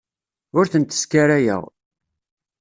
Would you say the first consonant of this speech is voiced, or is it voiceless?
voiced